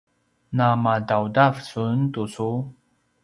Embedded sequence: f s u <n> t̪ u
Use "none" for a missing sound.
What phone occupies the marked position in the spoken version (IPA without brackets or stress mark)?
n